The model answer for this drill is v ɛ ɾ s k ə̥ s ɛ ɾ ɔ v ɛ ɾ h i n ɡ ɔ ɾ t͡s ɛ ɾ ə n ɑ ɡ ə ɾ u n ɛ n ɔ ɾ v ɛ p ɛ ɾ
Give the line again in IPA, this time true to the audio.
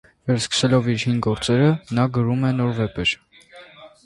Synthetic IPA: v ɛ ɾ s k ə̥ s ɛ l ɔ v i ɾ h i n ɡ ɔ ɾ t͡s ɛ ɾ ə n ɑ ɡ ə ɾ u m ɛ n ɔ ɾ v ɛ p ɛ ɾ